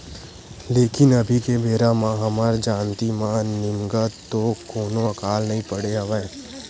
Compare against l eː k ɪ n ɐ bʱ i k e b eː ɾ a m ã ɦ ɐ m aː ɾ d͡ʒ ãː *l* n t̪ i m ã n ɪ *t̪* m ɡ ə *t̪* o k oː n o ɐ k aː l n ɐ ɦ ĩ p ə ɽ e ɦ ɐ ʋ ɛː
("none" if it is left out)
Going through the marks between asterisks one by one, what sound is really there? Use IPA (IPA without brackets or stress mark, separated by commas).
none, none, t̪